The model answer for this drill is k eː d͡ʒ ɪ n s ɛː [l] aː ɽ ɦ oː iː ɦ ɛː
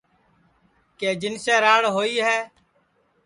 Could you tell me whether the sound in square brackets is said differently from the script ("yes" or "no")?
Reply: yes